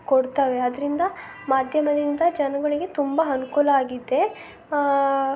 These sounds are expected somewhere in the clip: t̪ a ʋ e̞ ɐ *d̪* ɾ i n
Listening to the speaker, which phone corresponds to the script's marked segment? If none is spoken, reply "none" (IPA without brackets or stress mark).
d̪